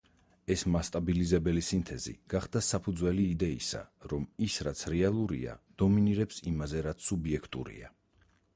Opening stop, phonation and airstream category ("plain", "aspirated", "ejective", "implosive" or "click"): ejective